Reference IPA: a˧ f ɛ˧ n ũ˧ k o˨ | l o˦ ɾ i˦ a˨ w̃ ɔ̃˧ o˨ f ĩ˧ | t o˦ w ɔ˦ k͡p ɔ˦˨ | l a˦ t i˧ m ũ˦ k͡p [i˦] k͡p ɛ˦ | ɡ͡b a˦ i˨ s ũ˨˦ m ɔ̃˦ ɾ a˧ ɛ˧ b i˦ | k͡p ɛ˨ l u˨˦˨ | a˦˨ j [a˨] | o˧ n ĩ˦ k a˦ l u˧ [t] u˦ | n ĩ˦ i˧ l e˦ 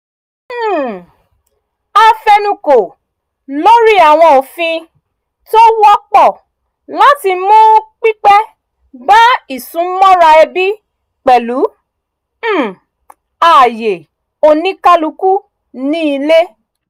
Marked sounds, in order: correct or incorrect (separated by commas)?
correct, incorrect, incorrect